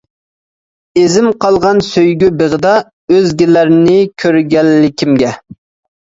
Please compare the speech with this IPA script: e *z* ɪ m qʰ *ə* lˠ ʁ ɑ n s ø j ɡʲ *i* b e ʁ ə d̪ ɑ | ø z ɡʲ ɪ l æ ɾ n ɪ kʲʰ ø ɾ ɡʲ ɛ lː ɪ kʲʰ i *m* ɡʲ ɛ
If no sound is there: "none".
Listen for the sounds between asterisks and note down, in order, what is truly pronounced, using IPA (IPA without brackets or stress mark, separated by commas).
z, ɑ, y, m